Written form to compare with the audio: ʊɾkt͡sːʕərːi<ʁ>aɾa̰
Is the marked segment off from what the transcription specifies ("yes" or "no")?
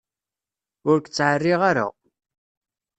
no